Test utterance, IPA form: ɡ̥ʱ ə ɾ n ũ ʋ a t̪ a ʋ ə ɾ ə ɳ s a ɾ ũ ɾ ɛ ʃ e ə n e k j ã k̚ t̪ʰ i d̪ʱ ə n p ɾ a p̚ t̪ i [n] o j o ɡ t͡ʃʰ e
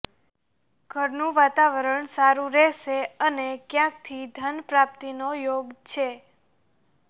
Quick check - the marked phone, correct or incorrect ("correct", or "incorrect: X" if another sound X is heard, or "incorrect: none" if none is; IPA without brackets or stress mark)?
correct